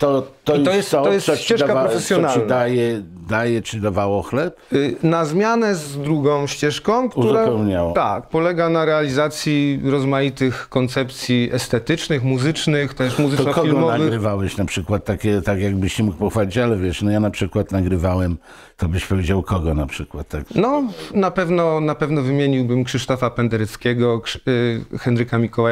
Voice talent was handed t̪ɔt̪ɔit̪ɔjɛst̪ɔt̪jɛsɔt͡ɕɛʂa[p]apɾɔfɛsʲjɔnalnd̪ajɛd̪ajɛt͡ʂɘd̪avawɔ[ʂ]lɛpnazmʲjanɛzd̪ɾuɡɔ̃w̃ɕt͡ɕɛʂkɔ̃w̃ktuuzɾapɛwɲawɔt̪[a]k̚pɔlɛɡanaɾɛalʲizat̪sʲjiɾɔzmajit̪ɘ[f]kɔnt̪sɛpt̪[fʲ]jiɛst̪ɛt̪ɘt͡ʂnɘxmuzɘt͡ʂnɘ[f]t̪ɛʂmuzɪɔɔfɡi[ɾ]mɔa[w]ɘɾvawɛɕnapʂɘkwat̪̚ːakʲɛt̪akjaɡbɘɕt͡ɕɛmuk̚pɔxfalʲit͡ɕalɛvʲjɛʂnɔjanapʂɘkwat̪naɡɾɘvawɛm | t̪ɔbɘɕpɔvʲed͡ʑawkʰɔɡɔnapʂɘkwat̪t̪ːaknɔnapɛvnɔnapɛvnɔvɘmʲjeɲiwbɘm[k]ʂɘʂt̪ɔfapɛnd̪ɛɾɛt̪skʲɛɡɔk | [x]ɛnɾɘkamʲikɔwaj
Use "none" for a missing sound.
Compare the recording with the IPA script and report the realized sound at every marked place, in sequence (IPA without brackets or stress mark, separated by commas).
k, x, a, x, sʲ, x, l, v, k, x